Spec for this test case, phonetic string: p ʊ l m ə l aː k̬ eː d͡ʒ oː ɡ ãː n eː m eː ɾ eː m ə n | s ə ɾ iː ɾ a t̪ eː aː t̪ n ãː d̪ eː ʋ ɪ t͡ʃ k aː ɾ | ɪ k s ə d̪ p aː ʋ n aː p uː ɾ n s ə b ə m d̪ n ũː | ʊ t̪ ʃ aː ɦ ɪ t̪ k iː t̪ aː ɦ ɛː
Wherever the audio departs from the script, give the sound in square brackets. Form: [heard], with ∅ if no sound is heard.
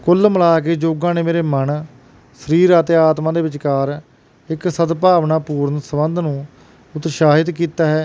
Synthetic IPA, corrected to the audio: [k] ʊ l m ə l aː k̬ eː d͡ʒ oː ɡ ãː n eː m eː ɾ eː m ə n | s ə ɾ iː ɾ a t̪ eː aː t̪ [m] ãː d̪ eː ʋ ɪ t͡ʃ k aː ɾ | ɪ k s ə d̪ p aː ʋ n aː p uː ɾ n s ə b ə [n] d̪ n ũː | ʊ t̪ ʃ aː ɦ ɪ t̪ k iː t̪ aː ɦ ɛː